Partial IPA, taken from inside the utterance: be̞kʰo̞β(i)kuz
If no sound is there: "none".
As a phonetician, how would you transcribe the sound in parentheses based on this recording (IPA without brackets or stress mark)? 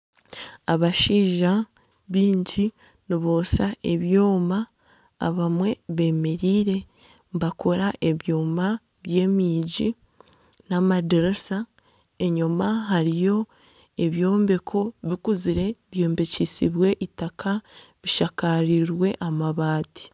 i